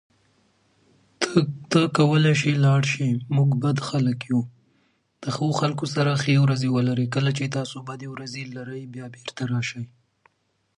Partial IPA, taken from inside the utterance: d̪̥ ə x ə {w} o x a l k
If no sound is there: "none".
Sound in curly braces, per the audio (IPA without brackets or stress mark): w